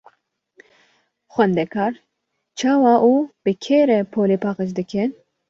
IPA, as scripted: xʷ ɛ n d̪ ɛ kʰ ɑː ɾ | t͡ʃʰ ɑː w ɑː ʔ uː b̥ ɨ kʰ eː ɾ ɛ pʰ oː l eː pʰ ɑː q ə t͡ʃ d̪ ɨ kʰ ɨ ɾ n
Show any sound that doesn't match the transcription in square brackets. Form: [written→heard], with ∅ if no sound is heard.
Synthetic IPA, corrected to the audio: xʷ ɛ n d̪ ɛ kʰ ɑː ɾ | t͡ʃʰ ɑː w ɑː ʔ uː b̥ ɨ kʰ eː ɾ ɛ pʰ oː l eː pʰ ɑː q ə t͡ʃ d̪ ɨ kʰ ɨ [ɾ→∅] n